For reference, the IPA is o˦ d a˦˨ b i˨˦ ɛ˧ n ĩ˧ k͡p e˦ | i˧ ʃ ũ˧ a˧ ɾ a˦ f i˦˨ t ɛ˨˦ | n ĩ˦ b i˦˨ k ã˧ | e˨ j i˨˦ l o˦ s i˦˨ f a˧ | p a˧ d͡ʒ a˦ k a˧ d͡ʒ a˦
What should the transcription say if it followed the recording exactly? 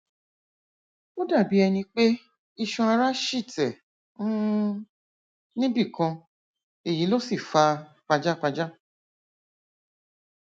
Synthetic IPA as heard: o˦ d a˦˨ b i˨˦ ɛ˧ n ĩ˧ k͡p e˦ | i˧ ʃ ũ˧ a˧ ɾ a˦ ʃ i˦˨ t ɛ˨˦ | n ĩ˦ b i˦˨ k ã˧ | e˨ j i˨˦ l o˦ s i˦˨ f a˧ | k͡p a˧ d͡ʒ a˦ k͡p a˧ d͡ʒ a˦